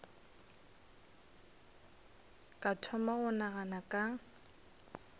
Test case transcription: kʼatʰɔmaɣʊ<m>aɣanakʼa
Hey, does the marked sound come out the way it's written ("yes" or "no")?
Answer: no